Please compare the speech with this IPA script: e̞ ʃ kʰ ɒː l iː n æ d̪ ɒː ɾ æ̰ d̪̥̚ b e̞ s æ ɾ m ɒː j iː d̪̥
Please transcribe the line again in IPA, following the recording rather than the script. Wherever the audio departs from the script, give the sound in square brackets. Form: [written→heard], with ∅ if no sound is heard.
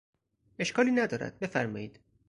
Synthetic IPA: e̞ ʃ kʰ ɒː l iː n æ d̪ ɒː ɾ æ̰ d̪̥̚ b e̞ [s→f] æ ɾ m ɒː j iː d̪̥